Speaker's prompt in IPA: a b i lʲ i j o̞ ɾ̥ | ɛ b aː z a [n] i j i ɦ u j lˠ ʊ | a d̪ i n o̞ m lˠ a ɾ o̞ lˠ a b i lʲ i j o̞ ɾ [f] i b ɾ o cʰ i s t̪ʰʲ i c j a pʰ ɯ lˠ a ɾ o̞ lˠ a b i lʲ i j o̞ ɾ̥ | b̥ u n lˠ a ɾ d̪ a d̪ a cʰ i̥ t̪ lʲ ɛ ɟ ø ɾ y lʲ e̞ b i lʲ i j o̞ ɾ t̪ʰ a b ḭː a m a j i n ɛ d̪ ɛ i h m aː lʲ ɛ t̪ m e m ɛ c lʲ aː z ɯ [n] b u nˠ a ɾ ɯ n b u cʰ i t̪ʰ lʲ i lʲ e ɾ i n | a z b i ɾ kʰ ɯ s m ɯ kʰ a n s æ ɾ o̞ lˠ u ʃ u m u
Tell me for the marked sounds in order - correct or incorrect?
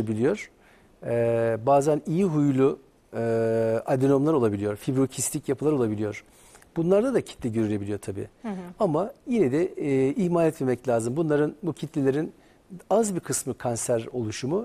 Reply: correct, correct, incorrect

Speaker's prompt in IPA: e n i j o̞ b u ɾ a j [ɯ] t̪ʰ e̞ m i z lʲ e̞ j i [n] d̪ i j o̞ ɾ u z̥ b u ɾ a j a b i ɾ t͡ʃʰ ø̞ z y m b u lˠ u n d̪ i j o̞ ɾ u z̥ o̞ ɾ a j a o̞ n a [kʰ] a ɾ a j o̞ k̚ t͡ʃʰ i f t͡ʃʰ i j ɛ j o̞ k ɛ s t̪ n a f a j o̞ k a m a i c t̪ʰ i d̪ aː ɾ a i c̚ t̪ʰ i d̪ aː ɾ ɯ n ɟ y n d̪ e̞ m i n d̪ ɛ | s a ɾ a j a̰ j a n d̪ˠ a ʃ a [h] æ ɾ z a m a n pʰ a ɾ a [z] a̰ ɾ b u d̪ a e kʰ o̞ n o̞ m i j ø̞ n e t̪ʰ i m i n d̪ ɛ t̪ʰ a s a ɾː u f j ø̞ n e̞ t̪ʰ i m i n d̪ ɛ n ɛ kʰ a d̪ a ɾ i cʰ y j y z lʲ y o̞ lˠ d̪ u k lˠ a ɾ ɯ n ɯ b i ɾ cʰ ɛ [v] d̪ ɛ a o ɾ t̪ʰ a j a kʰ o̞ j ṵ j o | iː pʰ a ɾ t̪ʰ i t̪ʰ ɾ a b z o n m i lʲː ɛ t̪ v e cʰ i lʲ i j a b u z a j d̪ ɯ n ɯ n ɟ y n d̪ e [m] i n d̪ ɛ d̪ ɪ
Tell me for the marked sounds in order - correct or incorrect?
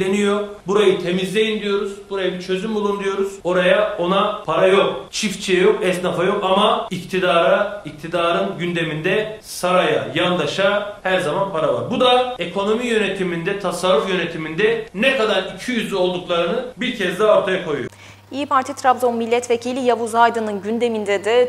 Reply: correct, correct, incorrect, correct, incorrect, incorrect, correct

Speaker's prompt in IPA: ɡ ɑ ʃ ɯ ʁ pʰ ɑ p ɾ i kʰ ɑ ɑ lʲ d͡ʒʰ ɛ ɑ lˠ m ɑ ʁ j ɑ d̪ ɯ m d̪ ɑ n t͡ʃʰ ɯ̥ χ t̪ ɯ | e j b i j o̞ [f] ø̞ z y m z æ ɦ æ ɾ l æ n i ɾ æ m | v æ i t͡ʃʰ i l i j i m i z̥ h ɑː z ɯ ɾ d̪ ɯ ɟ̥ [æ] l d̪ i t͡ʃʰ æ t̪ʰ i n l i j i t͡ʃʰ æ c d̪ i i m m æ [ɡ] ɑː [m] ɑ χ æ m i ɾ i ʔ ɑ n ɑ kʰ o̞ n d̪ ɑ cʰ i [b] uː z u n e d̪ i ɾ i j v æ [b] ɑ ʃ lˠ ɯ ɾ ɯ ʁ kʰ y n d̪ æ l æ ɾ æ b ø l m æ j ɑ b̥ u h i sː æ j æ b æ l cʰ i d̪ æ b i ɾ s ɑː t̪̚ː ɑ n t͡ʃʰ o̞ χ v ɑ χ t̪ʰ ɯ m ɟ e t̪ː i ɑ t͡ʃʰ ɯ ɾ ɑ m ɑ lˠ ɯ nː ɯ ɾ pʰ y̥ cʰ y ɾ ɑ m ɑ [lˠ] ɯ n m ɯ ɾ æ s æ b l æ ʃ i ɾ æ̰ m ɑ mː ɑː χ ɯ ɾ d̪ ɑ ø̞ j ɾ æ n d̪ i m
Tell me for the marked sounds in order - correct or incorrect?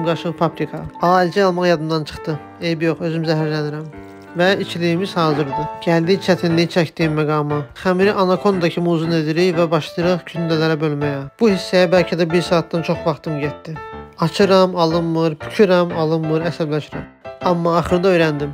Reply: incorrect, correct, correct, correct, incorrect, correct, correct

